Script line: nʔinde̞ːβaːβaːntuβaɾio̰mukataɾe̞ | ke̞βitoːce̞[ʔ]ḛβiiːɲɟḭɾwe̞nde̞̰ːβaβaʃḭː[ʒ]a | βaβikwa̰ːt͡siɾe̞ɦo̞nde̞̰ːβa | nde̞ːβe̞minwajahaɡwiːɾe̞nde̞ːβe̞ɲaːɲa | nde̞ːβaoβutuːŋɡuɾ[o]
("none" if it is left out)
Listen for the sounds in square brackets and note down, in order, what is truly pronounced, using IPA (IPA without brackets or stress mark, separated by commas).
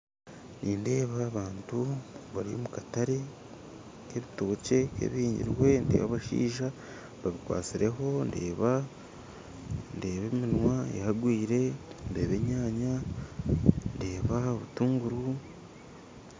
k, ʒ, u